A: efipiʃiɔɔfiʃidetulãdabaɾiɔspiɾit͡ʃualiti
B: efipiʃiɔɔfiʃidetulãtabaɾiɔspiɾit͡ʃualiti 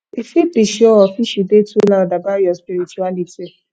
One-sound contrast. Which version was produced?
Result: A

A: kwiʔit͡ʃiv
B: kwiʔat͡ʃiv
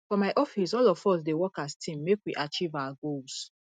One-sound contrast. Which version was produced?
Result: B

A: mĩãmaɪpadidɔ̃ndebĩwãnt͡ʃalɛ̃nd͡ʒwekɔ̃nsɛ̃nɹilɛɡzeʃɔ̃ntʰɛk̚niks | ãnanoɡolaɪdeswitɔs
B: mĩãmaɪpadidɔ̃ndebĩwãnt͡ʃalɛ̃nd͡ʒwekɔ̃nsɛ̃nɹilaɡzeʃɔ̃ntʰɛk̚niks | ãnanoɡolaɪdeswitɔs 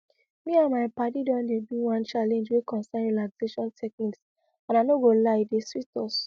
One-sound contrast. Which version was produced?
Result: B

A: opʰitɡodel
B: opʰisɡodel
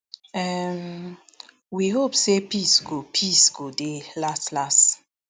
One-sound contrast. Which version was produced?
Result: B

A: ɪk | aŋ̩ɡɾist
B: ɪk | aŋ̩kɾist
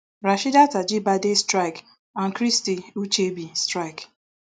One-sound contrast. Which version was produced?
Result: B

